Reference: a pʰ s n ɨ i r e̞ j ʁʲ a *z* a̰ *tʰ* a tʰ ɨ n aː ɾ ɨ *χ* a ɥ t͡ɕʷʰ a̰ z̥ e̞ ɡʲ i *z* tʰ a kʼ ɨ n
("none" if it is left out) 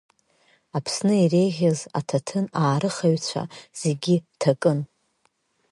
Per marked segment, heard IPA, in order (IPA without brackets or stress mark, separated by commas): z, tʰ, χ, none